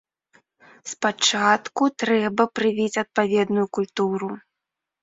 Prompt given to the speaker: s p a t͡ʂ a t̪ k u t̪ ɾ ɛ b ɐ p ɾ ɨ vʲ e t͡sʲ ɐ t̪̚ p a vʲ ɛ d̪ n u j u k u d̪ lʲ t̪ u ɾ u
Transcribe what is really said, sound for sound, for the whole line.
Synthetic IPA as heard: s p a t͡ʂ a t̪ k u t̪ ɾ ɛ b ɐ p ɾ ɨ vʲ i t͡sʲ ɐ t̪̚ p a vʲ ɛ d̪ n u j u k u lʲ t̪ u ɾ u